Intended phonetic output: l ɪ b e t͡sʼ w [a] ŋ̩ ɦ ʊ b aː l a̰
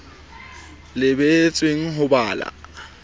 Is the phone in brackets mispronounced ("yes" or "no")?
yes